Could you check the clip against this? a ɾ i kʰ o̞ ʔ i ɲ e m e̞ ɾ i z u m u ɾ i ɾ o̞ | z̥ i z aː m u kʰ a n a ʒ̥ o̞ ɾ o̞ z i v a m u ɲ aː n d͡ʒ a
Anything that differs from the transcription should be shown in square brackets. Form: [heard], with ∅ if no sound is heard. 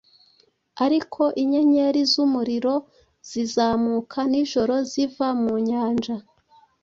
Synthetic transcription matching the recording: a ɾ i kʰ o̞ ʔ i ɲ e [ɲ] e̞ ɾ i z u m u ɾ i ɾ o̞ | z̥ i z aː m u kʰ a n [i] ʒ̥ o̞ ɾ o̞ z i v a m u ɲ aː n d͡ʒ a